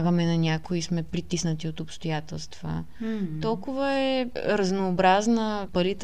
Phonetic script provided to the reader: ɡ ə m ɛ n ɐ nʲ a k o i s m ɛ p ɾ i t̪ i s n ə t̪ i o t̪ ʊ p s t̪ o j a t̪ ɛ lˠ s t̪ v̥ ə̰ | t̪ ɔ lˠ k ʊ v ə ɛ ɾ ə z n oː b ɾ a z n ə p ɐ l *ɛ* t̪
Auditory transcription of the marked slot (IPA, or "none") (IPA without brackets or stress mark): i